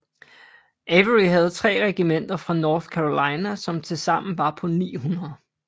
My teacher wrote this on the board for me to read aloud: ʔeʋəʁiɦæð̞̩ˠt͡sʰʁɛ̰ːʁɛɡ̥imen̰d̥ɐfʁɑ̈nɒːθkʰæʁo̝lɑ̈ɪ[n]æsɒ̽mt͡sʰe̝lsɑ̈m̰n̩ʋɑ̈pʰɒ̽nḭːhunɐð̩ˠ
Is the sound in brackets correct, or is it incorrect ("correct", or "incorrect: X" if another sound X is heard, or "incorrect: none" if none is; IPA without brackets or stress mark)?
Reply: correct